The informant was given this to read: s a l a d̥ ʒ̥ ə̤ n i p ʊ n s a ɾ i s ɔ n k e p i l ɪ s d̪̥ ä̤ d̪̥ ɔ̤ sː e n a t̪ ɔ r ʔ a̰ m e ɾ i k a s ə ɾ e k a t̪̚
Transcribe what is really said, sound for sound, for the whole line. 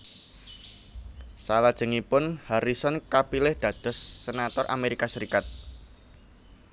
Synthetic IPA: s a l a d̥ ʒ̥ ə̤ ŋ i p ʊ n h a ɾ i s ɔ n k a p i l ɪ h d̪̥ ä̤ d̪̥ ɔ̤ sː e n a t̪ ɔ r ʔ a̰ m e ɾ i k a s ə ɾ i k a t̪̚